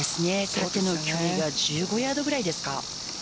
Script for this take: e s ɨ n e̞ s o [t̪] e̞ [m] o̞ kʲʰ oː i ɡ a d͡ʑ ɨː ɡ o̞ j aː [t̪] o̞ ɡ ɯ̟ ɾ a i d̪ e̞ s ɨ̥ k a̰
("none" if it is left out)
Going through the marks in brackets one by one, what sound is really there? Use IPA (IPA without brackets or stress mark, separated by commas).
t̪, n, d̪